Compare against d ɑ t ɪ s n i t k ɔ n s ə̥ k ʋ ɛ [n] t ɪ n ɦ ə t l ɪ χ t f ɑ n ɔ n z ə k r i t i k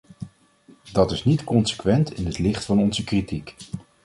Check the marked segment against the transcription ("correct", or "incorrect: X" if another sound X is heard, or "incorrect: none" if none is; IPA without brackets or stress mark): correct